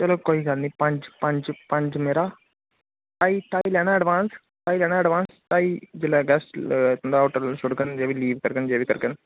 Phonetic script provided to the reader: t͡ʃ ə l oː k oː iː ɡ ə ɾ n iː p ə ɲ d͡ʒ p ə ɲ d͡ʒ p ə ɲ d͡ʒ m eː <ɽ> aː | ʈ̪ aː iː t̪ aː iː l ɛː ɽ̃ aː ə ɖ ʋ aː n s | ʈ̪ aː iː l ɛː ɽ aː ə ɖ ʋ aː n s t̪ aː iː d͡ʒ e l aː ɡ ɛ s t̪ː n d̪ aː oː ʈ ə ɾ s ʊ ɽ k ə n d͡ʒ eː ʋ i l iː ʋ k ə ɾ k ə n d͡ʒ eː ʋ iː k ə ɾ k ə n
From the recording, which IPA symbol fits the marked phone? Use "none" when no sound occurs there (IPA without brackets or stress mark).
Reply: ɾ